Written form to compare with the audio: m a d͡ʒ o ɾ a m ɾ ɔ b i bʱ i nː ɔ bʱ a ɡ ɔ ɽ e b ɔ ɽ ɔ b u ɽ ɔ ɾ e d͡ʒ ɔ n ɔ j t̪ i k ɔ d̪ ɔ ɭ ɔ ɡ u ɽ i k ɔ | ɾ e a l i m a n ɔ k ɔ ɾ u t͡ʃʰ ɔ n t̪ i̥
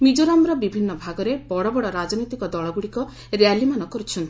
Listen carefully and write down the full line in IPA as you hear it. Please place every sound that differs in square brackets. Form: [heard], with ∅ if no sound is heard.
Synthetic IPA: m [i] d͡ʒ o ɾ a m ɾ ɔ b i bʱ i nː ɔ bʱ a ɡ ɔ [ɾ] e b ɔ ɽ ɔ b [ɔ] ɽ ɔ ɾ [a] d͡ʒ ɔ n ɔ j t̪ i k ɔ d̪ ɔ ɭ ɔ ɡ u ɽ i k ɔ | ɾ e a l i m a n ɔ k ɔ ɾ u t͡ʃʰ ɔ n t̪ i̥

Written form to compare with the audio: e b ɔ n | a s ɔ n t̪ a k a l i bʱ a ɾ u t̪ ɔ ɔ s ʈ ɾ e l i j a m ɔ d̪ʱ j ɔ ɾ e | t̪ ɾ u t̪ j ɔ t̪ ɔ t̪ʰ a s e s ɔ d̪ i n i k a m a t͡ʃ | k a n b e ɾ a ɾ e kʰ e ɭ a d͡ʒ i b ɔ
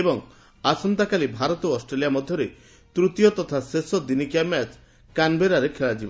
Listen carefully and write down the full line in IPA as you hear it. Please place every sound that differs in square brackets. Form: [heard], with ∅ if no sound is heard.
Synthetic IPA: e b ɔ [ŋ] | a s ɔ n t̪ a k a l i bʱ a ɾ [ɔ] t̪ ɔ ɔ s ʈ ɾ e l i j a m ɔ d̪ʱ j ɔ ɾ e | t̪ ɾ u t̪ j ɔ t̪ ɔ t̪ʰ a s e s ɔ d̪ i n i k a m a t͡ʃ | k a n b e ɾ a ɾ e kʰ e ɭ a d͡ʒ i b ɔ

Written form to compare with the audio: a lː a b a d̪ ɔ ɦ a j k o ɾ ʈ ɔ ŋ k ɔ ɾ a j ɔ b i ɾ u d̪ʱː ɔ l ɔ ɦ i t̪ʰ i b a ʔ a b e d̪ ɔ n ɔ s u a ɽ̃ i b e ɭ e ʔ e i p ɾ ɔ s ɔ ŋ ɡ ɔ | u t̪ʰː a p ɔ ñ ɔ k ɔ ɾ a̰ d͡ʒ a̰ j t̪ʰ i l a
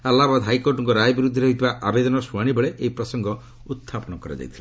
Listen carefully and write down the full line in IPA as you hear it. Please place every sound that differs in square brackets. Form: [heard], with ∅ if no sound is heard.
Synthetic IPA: a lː a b a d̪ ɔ ɦ a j k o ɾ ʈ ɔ ŋ k ɔ ɾ a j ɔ b i ɾ u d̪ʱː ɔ [ɾ] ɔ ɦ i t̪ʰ i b a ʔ a b e d̪ ɔ n ɔ s u a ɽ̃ i b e ɭ e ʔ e i p ɾ ɔ s ɔ ŋ ɡ ɔ | u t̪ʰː a p ɔ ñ ɔ k ɔ ɾ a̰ d͡ʒ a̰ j t̪ʰ i l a

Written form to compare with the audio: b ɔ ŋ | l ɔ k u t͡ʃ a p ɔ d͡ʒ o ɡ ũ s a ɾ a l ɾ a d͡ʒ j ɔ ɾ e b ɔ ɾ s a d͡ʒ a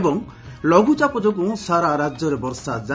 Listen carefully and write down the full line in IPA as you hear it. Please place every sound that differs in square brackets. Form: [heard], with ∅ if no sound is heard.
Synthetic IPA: b ɔ ŋ | l ɔ [ɡ] u t͡ʃ a p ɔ d͡ʒ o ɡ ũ s a ɾ a [∅] ɾ a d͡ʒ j ɔ ɾ e b ɔ ɾ s a d͡ʒ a

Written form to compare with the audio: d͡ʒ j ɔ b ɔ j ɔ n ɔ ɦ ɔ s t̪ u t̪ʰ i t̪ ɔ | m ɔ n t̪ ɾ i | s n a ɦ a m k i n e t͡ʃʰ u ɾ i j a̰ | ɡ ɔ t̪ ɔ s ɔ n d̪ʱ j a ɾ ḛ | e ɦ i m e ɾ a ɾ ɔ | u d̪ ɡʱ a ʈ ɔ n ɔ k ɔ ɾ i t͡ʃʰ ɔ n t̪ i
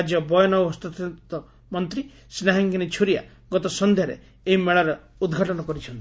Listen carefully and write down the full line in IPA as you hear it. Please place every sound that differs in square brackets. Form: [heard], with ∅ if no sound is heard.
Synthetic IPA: d͡ʒ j ɔ b ɔ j ɔ n ɔ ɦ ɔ s t̪ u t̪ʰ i t̪ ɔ | m ɔ n t̪ ɾ i | s n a ɦ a [ŋ] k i n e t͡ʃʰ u ɾ i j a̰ | ɡ ɔ t̪ ɔ s ɔ n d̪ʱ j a ɾ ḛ | e ɦ i m e [ɭ] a ɾ ɔ | u d̪ ɡʱ a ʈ ɔ n ɔ k ɔ ɾ i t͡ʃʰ ɔ n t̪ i

